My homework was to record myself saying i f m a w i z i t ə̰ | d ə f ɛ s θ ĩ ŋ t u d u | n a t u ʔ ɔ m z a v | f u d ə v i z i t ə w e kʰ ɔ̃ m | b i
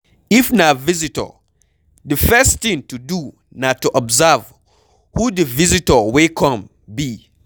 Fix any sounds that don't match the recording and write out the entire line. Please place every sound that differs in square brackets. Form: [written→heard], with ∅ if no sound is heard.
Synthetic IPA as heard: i f [m→n] a [w→v] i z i t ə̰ | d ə f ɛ s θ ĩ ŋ t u d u | n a t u ʔ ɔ [m→b] z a v | [f→h] u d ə v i z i t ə w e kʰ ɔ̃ m | b i